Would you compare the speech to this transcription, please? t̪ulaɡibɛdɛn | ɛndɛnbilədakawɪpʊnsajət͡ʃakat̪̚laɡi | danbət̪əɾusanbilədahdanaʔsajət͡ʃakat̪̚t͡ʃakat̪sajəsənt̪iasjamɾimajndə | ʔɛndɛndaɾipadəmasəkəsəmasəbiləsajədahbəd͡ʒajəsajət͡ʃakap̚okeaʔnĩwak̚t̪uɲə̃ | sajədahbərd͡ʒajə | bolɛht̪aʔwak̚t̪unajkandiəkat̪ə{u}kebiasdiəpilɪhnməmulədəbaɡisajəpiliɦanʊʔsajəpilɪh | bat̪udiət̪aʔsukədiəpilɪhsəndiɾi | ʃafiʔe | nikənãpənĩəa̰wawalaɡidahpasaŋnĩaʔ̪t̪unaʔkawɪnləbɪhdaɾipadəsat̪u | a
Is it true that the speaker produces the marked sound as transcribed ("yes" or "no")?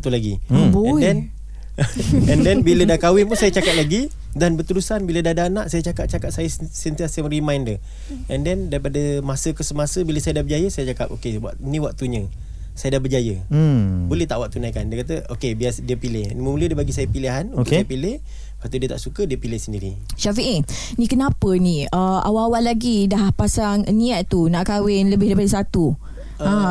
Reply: no